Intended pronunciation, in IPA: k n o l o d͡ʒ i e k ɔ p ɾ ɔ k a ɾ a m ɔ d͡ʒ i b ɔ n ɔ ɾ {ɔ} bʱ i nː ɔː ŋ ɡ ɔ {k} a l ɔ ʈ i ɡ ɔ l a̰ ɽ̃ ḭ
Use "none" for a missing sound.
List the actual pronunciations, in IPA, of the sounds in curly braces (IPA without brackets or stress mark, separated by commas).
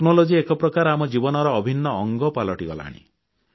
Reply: ɔː, p